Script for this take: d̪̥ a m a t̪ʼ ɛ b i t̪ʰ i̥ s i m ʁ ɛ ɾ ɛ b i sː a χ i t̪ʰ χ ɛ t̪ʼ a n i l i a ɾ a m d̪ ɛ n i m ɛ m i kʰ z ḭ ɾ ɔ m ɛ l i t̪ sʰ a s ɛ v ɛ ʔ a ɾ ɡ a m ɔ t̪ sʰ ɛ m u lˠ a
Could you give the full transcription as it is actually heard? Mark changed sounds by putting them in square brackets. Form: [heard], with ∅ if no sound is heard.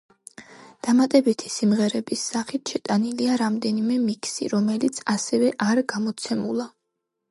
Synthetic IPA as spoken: d̪̥ a m a t̪ʼ ɛ b i t̪ʰ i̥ s i m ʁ ɛ ɾ ɛ b i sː a χ i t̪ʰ [ʃ] ɛ t̪ʼ a n i l i a ɾ a m d̪ ɛ n i m ɛ m i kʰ [s] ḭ ɾ ɔ m ɛ l i t̪ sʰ a s ɛ v ɛ ʔ a ɾ ɡ a m ɔ t̪ sʰ ɛ m u lˠ a